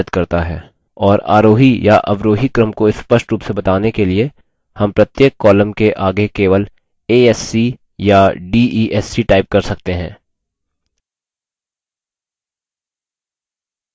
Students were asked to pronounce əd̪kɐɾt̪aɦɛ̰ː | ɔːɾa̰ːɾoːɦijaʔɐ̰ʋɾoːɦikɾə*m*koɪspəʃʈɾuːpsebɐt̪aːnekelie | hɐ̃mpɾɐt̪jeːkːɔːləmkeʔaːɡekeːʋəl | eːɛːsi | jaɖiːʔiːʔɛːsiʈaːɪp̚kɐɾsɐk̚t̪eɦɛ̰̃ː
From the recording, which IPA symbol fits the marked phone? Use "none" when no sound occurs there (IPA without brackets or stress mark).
m